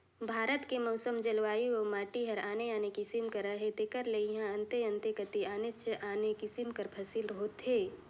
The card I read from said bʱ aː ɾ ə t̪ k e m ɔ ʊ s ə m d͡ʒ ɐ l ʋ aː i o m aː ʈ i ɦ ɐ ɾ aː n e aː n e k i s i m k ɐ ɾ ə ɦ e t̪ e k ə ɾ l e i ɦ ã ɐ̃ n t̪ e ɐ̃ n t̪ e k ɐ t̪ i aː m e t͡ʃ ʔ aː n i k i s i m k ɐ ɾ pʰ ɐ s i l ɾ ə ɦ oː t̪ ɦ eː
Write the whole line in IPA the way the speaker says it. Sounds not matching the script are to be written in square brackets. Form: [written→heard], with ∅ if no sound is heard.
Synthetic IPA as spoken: bʱ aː ɾ ə t̪ k e m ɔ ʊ s ə m d͡ʒ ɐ l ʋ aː i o m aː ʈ i ɦ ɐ ɾ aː n e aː n e k i s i m k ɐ ɾ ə ɦ e t̪ e k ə ɾ l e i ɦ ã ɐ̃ n t̪ e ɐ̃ n t̪ e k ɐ t̪ i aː [m→n] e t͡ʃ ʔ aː n [i→e] k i s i m k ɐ ɾ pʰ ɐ s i l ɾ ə ɦ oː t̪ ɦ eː